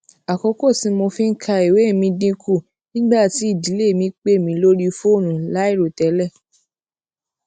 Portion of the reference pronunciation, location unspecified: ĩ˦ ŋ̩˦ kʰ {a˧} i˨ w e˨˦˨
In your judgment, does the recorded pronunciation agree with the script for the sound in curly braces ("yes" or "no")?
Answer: yes